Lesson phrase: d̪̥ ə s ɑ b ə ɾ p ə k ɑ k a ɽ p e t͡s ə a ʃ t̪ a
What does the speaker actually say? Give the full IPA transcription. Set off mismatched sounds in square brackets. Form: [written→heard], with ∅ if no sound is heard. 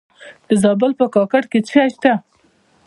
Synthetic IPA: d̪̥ ə [s→z] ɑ b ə [ɾ→l] p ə k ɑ k a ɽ [p→k] e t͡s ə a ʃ t̪ a